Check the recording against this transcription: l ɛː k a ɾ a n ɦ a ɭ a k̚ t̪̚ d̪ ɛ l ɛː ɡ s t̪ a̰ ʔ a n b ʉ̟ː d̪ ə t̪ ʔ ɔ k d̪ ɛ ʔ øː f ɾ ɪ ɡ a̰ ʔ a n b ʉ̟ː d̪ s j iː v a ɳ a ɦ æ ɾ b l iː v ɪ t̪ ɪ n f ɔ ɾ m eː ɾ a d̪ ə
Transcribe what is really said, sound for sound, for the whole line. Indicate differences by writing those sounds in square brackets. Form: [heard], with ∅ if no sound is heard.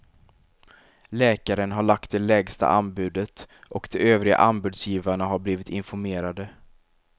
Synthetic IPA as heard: l ɛː k a ɾ [ə] n ɦ a ɭ a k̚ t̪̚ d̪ ɛ l ɛː ɡ s t̪ a̰ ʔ a n b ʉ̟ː d̪ ə t̪ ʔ ɔ k d̪ ɛ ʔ øː [v] ɾ ɪ ɡ a̰ ʔ a n b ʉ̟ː d̪ s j iː v a ɳ a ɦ [a] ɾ b l iː v ɪ t̪ ɪ n f ɔ ɾ m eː ɾ a d̪ ə